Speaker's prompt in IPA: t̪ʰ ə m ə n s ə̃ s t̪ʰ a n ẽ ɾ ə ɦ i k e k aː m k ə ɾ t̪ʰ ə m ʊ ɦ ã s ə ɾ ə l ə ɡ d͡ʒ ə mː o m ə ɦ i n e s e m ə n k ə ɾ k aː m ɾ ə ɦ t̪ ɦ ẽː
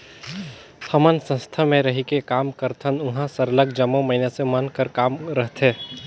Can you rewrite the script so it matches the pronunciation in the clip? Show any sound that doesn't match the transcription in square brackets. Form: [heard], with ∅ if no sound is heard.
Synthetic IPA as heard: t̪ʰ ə m ə n s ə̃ s t̪ʰ a [m] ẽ ɾ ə ɦ i k e k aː m k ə ɾ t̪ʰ ə [n] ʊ ɦ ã s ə ɾ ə l ə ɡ d͡ʒ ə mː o m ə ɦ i n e s e m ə n k ə ɾ k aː m ɾ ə ɦ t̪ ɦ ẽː